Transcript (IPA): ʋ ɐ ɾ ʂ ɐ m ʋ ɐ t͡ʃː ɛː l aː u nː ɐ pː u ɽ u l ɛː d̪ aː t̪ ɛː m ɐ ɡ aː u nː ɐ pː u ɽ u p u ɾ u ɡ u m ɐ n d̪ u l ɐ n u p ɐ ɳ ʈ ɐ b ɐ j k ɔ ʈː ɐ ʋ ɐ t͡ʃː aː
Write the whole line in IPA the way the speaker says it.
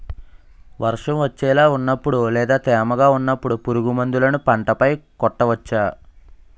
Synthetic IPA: ʋ ɐ ɾ ʂ ɐ m ʋ ɐ t͡ʃː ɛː l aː u nː ɐ pː u ɽ u l ɛː d̪ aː t̪ ɛː m ɐ ɡ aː u nː ɐ pː u ɽ u p u ɾ u ɡ u m ɐ n d̪ u l ɐ n u p ɐ ɳ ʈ ɐ p ɐ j k ɔ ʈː ɐ ʋ ɐ t͡ʃː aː